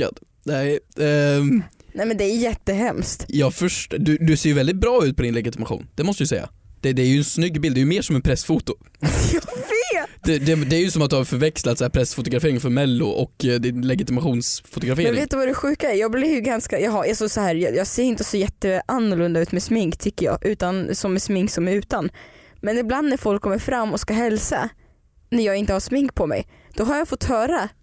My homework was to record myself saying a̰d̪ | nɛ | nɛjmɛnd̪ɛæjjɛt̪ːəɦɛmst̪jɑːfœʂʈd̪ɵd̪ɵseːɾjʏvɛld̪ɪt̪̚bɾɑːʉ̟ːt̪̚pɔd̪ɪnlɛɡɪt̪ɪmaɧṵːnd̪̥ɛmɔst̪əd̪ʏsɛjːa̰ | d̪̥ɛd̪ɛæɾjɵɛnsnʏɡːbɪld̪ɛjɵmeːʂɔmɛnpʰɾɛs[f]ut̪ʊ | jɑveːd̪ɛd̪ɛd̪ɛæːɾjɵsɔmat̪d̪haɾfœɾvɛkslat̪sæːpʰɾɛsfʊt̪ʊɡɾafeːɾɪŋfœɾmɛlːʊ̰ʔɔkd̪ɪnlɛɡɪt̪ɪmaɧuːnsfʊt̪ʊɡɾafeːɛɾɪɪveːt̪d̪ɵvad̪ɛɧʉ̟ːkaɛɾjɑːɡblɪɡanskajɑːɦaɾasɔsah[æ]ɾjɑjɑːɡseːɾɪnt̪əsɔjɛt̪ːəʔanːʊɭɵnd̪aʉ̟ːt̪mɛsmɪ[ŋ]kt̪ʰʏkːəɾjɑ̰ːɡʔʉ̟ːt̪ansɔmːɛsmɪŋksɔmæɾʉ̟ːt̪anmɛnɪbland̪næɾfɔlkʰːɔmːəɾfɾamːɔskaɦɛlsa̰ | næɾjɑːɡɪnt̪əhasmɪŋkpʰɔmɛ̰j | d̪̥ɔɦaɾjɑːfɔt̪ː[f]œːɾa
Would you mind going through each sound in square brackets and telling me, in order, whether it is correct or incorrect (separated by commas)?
correct, incorrect, correct, incorrect